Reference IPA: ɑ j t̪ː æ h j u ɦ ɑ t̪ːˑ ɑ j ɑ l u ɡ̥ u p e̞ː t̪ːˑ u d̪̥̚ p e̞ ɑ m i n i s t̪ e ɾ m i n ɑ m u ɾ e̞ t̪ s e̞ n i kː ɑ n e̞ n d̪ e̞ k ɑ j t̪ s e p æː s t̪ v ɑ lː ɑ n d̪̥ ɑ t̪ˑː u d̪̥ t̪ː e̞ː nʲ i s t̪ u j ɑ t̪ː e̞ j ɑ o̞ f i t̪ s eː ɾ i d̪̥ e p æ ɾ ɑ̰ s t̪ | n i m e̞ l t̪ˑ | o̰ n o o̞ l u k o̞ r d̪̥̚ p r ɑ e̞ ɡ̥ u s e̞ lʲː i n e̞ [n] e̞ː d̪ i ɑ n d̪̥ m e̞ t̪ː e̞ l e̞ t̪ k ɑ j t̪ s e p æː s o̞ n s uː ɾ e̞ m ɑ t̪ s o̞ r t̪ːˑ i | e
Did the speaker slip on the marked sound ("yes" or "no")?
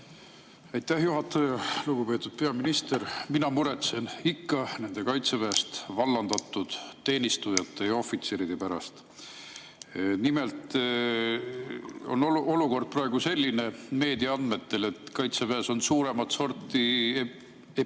yes